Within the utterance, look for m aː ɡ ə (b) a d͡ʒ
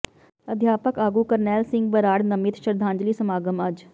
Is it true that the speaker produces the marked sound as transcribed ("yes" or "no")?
no